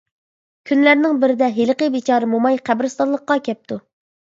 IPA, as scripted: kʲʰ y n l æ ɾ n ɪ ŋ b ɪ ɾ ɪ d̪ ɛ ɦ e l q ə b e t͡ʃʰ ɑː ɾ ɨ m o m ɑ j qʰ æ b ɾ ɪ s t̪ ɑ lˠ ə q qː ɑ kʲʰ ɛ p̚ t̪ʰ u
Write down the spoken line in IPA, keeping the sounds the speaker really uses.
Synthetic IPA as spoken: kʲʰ y n l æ ɾ n ɪ ŋ b ɪ ɾ ɪ d̪ ɛ ɦ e l q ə b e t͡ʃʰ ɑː ɾ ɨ m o m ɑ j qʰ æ b ɾ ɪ s t̪ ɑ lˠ ə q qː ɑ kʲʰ ɛ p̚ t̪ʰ u